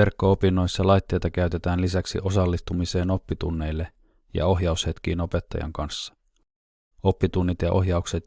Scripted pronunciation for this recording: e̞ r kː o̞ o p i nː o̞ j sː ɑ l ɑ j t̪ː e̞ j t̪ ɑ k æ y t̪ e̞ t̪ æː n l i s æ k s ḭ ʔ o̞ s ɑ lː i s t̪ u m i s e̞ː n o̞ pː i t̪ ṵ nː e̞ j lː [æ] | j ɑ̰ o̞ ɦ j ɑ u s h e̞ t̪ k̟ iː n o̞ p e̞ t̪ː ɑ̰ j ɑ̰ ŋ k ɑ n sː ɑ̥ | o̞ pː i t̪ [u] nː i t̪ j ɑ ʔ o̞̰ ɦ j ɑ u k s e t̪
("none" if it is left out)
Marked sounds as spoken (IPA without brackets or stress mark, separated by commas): e, u